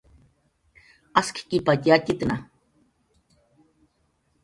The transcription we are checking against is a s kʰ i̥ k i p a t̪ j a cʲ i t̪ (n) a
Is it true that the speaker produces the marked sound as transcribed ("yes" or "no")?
yes